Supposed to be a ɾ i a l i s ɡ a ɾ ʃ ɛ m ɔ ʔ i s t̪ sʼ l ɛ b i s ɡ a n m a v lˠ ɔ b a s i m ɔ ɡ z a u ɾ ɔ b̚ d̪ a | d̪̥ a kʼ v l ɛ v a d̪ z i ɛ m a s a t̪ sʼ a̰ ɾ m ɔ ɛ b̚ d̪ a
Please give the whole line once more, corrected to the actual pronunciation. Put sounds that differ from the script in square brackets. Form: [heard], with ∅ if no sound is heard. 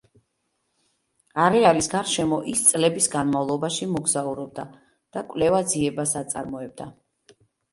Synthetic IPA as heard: a ɾ [ɛ] a l i s ɡ a ɾ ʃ ɛ m ɔ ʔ i s t̪ sʼ l ɛ b i s ɡ a n m a v lˠ ɔ b a [ʃ] i m ɔ ɡ z a u ɾ ɔ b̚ d̪ a | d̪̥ a kʼ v l ɛ v a d̪ z i ɛ [b] a s a t̪ sʼ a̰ ɾ m ɔ ɛ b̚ d̪ a